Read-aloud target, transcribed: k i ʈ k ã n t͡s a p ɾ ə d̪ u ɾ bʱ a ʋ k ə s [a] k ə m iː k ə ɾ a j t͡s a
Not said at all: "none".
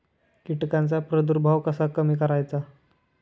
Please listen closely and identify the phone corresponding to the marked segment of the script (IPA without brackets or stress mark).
a